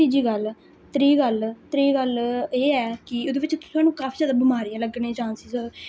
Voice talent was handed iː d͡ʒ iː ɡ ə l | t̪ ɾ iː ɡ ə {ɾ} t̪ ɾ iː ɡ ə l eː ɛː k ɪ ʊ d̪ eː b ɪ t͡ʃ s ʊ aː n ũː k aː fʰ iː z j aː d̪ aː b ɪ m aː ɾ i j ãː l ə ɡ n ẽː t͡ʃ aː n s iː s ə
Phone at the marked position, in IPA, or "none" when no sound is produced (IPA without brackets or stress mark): l